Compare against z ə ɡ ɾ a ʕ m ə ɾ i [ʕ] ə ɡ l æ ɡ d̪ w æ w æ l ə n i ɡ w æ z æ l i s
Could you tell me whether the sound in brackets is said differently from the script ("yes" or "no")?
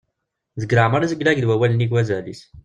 yes